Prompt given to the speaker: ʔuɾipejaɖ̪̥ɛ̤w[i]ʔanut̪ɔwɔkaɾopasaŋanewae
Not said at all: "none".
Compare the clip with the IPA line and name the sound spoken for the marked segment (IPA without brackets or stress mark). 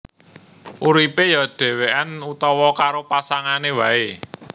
e